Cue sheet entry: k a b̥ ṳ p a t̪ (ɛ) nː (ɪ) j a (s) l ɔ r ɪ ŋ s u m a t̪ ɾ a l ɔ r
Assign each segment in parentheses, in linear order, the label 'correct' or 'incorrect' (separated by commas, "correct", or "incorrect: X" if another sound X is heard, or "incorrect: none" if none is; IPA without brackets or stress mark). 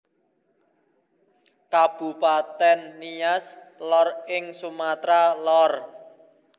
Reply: correct, incorrect: i, correct